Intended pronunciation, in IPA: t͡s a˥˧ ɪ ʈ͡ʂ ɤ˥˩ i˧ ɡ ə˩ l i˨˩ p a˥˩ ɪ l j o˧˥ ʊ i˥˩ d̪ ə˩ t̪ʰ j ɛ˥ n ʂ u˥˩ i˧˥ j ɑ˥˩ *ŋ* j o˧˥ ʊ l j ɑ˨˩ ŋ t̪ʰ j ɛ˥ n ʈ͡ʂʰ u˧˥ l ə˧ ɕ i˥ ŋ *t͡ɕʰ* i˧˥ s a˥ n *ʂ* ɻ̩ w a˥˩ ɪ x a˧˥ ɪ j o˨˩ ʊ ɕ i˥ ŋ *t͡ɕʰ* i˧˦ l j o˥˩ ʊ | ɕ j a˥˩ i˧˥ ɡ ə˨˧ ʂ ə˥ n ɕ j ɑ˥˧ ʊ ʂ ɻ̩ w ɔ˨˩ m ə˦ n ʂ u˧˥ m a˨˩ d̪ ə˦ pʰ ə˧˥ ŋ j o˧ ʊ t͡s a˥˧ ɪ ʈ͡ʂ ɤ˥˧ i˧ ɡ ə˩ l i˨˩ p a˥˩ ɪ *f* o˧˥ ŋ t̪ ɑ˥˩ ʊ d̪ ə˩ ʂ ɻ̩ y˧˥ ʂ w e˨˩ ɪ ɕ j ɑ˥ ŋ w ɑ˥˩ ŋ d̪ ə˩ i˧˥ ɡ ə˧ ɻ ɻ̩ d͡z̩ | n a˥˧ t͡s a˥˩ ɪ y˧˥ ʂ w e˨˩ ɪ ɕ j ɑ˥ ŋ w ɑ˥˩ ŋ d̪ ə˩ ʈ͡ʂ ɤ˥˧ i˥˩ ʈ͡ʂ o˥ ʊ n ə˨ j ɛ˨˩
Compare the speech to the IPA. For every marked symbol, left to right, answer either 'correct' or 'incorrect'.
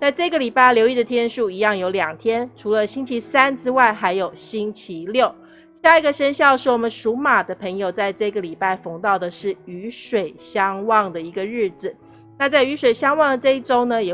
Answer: correct, correct, incorrect: ʈ͡ʂ, correct, correct

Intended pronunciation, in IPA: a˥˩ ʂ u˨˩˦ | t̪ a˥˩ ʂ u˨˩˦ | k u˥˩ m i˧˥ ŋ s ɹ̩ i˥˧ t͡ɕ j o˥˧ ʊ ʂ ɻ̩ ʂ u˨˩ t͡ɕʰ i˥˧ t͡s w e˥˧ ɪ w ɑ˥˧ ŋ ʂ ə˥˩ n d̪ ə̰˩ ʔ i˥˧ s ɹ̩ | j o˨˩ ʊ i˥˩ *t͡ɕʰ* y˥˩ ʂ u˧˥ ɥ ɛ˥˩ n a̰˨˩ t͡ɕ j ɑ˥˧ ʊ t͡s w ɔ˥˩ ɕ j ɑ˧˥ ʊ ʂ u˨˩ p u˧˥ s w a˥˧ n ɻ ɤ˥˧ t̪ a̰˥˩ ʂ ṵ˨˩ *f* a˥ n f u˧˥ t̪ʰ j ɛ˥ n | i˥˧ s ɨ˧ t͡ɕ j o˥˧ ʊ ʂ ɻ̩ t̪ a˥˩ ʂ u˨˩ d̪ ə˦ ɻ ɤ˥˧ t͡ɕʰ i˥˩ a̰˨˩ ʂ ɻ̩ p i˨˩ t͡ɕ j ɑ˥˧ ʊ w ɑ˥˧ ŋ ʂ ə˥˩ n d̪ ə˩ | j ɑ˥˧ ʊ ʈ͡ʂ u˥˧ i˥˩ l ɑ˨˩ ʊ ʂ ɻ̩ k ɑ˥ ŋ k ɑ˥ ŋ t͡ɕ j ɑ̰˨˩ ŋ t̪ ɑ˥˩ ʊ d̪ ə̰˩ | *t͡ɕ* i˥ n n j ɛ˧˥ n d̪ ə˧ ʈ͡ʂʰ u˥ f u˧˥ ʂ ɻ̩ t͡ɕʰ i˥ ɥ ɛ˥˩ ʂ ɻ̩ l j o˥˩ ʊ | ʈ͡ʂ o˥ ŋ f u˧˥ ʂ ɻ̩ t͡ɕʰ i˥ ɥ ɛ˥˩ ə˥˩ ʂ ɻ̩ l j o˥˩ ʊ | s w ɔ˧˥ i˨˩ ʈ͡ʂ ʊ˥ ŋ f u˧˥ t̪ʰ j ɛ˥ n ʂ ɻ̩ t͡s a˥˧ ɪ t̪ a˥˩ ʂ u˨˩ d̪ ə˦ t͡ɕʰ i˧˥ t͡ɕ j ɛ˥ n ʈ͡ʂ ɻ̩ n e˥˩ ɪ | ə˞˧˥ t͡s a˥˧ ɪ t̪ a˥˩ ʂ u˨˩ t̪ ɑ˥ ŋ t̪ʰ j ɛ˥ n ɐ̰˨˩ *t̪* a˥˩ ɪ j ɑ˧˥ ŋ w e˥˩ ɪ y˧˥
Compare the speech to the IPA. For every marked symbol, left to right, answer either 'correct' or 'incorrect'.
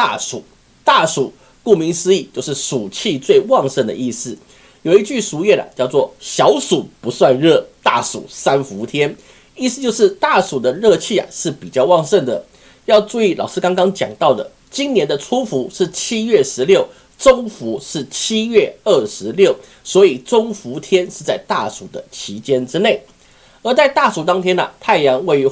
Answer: incorrect: t͡ɕ, incorrect: s, correct, incorrect: t̪ʰ

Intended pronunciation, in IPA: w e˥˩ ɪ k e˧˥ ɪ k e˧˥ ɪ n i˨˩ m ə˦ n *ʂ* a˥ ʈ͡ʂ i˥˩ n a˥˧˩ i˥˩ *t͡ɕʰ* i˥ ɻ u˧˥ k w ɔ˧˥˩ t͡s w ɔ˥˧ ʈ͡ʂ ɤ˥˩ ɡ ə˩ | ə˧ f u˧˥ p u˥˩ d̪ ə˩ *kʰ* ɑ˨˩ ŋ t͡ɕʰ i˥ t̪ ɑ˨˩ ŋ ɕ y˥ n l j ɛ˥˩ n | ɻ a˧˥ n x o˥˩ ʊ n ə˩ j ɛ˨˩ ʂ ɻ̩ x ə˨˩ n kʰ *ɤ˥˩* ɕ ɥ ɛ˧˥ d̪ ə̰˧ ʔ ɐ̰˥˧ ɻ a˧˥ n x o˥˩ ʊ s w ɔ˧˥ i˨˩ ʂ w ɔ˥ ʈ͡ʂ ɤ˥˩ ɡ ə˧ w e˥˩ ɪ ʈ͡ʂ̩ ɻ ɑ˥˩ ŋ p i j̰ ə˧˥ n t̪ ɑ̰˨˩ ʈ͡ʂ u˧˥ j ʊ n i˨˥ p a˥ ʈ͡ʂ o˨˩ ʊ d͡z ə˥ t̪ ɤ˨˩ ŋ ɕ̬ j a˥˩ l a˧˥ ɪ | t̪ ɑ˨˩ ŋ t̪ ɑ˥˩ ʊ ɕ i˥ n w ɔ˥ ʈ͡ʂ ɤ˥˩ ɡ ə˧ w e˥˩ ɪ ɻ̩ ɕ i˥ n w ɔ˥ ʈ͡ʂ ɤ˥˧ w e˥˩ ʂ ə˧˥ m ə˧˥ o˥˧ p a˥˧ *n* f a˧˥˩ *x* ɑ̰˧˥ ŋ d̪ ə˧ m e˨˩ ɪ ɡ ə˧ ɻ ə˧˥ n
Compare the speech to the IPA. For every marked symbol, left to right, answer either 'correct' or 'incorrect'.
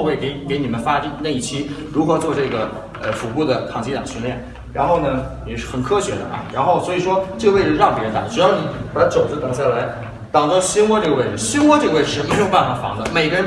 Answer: incorrect: f, correct, correct, incorrect: ɤ˥, correct, incorrect: f

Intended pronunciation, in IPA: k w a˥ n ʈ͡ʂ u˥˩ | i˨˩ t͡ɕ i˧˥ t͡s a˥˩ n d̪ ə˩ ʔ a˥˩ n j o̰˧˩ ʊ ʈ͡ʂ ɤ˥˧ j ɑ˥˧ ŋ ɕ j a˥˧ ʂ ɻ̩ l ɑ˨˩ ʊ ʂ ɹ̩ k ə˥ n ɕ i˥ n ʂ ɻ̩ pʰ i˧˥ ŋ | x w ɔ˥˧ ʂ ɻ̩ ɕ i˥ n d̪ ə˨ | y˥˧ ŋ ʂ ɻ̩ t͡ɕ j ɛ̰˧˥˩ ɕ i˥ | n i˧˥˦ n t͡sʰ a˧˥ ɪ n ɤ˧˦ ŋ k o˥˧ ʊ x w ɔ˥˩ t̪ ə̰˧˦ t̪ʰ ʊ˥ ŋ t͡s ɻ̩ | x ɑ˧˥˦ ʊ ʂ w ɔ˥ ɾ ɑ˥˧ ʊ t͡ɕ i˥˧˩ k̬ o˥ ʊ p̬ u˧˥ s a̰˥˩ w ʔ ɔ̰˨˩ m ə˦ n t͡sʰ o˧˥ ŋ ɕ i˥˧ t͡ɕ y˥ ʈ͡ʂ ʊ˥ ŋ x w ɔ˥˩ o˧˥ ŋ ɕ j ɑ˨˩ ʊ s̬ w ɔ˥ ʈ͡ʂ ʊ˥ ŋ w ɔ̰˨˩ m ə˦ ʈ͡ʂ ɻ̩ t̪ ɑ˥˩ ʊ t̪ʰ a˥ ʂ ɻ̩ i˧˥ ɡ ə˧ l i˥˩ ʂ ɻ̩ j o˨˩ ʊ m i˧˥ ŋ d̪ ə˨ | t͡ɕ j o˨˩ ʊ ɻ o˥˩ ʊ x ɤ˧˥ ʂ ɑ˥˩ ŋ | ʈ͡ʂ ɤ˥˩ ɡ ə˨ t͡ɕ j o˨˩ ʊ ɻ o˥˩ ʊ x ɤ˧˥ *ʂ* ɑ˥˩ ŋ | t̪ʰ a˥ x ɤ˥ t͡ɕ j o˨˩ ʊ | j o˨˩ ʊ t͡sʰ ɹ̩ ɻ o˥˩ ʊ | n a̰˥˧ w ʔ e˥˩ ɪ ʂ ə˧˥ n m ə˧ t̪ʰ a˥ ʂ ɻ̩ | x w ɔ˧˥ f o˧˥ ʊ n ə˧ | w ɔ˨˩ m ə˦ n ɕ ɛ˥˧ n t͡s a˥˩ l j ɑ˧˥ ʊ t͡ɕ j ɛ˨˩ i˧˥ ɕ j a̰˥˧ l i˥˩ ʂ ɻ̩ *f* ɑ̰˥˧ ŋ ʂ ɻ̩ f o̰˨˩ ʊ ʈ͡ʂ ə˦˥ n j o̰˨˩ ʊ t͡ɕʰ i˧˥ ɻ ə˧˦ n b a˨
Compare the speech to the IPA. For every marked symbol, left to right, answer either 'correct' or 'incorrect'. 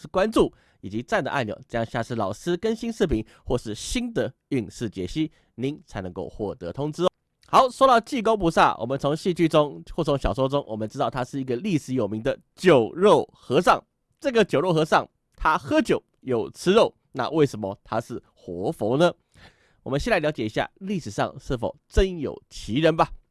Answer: correct, incorrect: ʂ

